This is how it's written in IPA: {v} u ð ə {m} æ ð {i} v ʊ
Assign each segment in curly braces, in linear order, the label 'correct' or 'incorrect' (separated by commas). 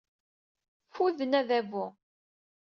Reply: incorrect, incorrect, incorrect